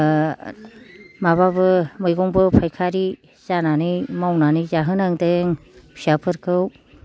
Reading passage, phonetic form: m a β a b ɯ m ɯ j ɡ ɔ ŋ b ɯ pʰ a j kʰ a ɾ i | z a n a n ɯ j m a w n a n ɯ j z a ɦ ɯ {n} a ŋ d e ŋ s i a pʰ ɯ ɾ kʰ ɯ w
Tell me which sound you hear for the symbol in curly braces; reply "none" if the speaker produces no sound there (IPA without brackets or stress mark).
n